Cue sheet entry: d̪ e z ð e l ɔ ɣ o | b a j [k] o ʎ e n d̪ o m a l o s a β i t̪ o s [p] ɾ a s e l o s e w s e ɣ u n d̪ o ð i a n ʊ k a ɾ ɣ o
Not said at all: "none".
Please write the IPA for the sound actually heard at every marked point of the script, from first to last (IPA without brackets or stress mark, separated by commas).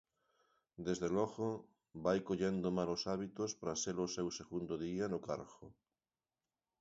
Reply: k, p